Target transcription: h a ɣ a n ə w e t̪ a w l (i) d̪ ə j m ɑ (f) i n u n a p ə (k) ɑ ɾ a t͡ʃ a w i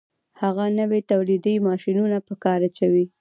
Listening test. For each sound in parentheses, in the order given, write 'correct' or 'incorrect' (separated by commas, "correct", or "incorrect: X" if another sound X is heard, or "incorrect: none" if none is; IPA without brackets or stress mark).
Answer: correct, incorrect: ʃ, correct